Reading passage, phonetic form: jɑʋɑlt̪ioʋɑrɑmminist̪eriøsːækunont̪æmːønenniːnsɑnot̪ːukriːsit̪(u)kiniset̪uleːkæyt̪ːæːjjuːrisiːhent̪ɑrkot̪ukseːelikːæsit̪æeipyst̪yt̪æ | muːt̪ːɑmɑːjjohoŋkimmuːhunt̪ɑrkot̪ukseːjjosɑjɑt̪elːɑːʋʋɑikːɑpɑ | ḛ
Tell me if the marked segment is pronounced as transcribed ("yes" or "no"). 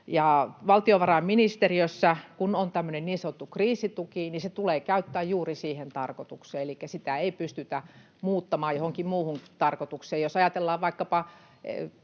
yes